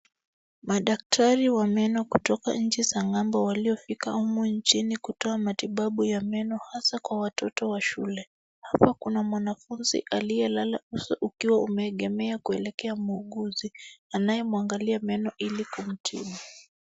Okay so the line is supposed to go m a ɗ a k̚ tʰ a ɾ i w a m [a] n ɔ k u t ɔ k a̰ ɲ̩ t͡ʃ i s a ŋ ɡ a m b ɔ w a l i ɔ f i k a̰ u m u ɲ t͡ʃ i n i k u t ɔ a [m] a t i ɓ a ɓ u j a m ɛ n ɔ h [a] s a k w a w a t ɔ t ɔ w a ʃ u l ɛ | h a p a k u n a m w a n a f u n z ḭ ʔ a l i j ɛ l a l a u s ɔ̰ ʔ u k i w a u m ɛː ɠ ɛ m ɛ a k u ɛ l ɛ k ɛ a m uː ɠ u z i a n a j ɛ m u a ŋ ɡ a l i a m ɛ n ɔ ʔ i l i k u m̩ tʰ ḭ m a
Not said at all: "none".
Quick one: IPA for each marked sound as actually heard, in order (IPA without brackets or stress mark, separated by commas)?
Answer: ɛ, m, a